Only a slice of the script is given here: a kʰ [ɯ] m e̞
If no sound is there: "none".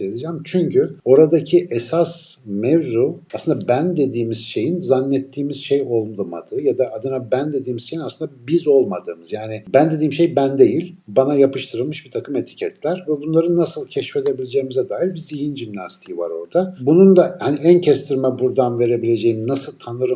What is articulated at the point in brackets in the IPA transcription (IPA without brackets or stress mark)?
ɯ